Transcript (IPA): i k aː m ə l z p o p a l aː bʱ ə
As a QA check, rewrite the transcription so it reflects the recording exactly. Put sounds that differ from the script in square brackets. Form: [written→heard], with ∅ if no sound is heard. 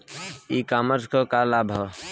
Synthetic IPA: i k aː m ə [l→ɾ] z [p→k] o [p→k] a l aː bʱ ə